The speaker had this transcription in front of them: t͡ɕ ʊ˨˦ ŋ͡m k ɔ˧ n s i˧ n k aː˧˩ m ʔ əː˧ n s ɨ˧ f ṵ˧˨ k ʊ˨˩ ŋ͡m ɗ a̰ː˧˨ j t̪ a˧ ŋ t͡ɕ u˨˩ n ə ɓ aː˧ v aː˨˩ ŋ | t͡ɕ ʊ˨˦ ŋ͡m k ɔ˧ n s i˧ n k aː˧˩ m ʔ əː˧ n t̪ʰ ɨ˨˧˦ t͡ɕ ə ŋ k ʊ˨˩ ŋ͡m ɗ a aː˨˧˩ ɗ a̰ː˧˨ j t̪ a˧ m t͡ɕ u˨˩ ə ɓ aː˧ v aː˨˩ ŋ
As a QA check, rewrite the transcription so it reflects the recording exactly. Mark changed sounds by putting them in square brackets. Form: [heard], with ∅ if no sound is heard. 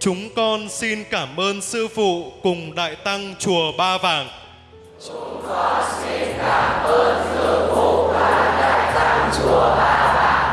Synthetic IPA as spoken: t͡ɕ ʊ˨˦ ŋ͡m k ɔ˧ n s i˧ n k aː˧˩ m ʔ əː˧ n s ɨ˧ f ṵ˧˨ k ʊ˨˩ ŋ͡m ɗ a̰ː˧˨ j t̪ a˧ ŋ t͡ɕ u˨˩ [∅] ə ɓ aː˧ v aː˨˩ ŋ | t͡ɕ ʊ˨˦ ŋ͡m k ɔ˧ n s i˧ n k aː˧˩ m ʔ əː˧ n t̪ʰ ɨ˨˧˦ [∅] ə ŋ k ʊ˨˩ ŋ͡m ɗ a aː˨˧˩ ɗ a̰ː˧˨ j t̪ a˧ [ŋ] t͡ɕ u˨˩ ə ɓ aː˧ v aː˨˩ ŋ

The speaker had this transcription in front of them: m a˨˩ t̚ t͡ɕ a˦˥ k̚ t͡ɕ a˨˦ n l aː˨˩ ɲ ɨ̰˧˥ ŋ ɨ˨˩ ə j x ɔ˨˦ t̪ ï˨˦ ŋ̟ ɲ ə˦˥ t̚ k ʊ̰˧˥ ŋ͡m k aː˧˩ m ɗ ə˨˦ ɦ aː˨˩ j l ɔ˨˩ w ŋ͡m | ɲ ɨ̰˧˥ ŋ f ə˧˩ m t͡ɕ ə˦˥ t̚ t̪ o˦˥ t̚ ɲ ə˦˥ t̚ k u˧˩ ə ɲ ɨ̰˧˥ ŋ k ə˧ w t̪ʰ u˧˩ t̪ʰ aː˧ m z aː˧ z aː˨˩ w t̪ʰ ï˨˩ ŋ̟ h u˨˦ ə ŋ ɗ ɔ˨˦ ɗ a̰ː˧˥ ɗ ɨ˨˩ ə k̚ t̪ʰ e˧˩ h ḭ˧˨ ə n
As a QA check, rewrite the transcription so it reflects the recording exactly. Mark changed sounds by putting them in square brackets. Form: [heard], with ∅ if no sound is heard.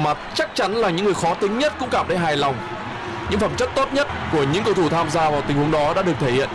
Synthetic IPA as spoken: m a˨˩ t̚ t͡ɕ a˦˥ k̚ t͡ɕ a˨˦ n l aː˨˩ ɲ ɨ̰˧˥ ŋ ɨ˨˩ ə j x ɔ˨˦ t̪ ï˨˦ ŋ̟ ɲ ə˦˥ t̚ k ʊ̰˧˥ ŋ͡m k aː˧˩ m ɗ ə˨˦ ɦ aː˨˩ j l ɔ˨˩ w ŋ͡m | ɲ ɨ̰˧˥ ŋ f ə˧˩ m t͡ɕ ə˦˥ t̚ t̪ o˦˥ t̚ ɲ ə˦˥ t̚ k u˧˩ ə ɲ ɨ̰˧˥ ŋ k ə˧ w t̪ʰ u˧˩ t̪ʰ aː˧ m z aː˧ [v] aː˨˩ w [t̪] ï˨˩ ŋ̟ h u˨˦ ə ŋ ɗ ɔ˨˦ ɗ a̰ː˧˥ ɗ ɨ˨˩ ə k̚ t̪ʰ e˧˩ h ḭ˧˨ ə n

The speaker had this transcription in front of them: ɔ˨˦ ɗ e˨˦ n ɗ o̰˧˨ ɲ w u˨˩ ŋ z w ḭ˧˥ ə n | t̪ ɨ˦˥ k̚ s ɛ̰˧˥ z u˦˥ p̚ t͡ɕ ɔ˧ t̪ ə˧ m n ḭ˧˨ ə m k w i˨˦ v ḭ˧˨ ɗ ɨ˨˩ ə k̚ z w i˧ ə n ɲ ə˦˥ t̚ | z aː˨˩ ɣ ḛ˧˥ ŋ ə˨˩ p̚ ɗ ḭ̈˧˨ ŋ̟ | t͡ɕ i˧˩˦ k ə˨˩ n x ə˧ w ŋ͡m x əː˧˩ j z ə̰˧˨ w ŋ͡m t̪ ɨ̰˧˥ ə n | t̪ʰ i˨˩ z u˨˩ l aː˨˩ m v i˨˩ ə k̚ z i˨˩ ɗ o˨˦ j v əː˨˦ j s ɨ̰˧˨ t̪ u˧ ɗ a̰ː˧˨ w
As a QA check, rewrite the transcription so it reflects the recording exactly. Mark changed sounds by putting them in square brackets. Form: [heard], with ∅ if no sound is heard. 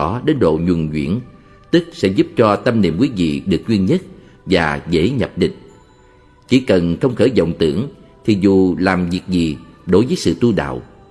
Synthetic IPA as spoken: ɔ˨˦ ɗ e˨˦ n ɗ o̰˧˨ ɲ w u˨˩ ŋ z w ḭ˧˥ ə n | t̪ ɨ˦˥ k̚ s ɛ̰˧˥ z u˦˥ p̚ t͡ɕ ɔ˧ t̪ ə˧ m n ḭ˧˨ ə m k w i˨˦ v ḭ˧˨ ɗ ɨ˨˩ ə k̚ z w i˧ ə n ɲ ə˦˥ t̚ | [v] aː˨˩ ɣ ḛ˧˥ [ɲ] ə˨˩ p̚ ɗ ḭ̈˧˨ ŋ̟ | t͡ɕ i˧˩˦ k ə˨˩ n x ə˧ w ŋ͡m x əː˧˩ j z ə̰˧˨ w ŋ͡m t̪ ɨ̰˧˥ ə [ŋ] | t̪ʰ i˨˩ z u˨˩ l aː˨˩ m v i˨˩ ə k̚ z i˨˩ ɗ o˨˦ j v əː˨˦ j s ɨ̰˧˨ t̪ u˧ ɗ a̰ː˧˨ w

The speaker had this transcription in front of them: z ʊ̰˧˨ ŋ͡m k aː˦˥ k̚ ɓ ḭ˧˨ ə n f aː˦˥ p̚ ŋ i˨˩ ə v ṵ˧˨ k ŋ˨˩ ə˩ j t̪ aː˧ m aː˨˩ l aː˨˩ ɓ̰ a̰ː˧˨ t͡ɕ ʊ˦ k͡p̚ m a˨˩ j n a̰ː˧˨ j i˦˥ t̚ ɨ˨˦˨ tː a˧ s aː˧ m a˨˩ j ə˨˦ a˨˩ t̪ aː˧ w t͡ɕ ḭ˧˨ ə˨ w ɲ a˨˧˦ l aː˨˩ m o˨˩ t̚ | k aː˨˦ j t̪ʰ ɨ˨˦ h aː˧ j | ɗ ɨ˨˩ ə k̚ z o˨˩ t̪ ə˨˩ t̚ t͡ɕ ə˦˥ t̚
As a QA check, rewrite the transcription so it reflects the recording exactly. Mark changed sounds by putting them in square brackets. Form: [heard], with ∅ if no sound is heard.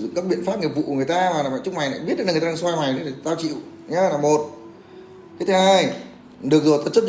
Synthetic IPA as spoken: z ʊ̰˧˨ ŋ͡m k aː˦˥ k̚ ɓ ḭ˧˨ ə n f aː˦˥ p̚ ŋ i˨˩ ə v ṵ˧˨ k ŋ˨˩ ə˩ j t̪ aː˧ m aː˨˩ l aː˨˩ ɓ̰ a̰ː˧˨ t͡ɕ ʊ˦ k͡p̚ m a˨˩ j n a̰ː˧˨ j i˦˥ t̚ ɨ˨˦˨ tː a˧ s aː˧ m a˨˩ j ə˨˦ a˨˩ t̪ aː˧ w t͡ɕ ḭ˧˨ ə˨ w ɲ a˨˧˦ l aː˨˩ m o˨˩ t̚ | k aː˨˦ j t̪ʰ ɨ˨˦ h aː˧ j | ɗ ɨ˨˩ ə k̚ z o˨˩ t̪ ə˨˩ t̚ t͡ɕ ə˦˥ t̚

